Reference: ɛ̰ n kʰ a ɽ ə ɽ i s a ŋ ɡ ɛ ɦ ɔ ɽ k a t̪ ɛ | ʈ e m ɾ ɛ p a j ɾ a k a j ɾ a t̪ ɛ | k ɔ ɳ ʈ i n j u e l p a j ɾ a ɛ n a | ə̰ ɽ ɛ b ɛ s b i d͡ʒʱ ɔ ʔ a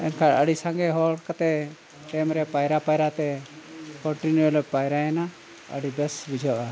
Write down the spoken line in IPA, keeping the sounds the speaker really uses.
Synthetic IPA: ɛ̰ n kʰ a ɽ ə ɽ i s a ŋ ɡ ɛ ɦ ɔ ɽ k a t̪ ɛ | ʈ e m ɾ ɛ p a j ɾ a p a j ɾ a t̪ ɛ | k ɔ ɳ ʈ i n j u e l p a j ɾ a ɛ n a | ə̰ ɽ i b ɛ s b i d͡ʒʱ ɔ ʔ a